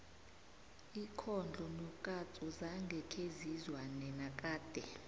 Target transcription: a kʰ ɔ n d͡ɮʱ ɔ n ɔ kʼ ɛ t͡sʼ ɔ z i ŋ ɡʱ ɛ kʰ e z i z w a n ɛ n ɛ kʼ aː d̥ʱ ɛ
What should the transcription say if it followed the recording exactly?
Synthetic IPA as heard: i kʰ ɔ n d͡ɮʱ ɔ n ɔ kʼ a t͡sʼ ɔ z a ŋ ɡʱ ɛ kʰ e z i z w a n ɛ n a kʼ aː d̥ʱ ɛ